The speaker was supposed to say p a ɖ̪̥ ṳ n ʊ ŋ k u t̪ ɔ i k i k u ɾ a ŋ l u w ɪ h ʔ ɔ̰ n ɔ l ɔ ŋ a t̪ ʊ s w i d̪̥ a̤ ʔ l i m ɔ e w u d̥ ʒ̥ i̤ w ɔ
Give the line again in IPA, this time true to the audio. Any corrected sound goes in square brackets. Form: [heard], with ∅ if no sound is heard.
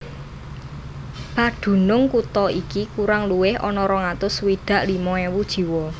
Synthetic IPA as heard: p a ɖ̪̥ ṳ n ʊ ŋ k u t̪ ɔ i k i k u ɾ a ŋ l u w ɪ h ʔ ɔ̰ n ɔ [ɾ] ɔ ŋ a t̪ ʊ s w i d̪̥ a̤ ʔ l i m ɔ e w u d̥ ʒ̥ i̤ w ɔ